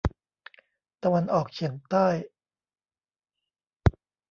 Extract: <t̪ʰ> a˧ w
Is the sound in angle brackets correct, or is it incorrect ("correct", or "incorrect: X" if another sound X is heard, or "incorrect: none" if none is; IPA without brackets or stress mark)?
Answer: incorrect: t̪